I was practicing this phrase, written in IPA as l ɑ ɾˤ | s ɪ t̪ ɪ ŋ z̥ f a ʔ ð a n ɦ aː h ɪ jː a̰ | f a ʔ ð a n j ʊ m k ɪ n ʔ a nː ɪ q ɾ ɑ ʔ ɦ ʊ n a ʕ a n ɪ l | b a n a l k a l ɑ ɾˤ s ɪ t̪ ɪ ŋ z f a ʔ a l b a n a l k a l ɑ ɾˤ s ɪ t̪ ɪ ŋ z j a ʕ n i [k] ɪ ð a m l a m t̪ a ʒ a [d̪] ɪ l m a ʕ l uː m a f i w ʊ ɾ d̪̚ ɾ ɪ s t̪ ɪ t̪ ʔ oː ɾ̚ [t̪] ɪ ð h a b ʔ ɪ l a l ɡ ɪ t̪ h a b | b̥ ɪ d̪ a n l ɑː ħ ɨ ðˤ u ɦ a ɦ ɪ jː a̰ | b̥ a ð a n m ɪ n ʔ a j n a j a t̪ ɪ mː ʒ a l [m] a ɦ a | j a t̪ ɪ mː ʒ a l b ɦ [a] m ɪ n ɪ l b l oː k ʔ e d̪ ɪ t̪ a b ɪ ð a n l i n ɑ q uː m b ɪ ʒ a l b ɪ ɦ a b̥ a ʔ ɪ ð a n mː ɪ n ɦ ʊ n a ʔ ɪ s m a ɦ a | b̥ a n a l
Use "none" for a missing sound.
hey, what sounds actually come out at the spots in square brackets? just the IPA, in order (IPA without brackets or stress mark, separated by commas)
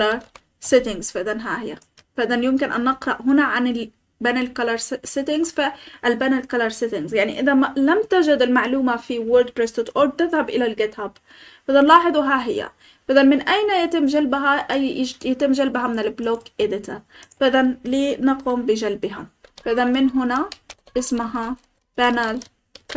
ʔ, d̪, t̪, b, a